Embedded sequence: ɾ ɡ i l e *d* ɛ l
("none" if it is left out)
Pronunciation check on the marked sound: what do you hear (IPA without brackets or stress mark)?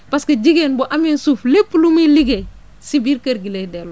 d